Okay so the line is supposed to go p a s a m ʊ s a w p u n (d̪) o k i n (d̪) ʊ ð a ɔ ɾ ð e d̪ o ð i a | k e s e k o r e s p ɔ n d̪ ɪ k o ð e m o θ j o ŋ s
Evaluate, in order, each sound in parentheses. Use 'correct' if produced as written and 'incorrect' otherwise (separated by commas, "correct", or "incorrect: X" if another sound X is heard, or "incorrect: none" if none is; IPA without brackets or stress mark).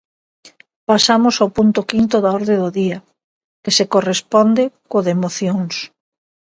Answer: incorrect: t̪, incorrect: t̪